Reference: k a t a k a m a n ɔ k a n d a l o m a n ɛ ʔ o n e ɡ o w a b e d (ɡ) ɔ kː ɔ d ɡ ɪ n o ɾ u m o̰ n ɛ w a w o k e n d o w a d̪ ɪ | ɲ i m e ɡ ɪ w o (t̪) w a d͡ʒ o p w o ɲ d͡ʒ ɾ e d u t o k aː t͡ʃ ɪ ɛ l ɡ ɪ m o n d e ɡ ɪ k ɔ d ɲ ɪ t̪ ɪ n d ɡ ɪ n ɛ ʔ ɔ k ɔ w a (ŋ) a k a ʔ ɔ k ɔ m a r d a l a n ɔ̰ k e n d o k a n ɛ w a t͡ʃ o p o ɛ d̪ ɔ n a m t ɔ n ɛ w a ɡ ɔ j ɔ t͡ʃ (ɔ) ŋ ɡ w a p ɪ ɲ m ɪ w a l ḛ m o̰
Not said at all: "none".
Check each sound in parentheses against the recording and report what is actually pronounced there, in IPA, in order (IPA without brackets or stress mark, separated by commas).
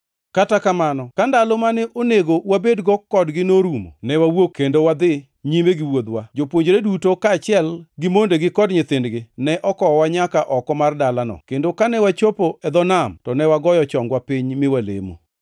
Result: ɡ, d̪, ɲ, ɔ